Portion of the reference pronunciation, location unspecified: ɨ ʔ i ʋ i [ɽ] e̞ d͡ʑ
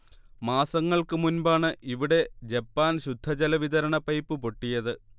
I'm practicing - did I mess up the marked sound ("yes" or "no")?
no